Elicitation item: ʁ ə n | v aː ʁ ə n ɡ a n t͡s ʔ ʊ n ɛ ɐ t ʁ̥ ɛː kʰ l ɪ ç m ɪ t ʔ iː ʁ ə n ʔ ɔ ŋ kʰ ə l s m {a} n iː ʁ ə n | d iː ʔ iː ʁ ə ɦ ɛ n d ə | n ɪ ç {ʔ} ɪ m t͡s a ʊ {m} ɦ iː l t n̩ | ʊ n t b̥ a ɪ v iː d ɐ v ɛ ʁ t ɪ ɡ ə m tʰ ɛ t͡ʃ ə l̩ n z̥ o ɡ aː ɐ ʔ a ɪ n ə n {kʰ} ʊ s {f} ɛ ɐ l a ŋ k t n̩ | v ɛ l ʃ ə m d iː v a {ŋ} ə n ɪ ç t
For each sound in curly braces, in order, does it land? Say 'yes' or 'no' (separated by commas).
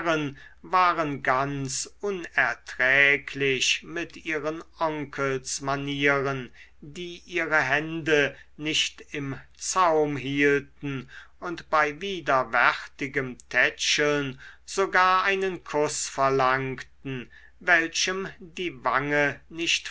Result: yes, no, yes, yes, yes, yes